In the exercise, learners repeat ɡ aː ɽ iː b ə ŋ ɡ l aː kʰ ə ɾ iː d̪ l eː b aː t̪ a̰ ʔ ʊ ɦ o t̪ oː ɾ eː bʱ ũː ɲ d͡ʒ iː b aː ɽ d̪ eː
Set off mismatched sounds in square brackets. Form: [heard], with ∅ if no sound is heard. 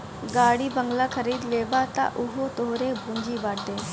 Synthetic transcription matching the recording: ɡ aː ɽ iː b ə ŋ ɡ l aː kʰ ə ɾ iː d̪ l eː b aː t̪ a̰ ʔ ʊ ɦ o t̪ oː ɾ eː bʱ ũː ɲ d͡ʒ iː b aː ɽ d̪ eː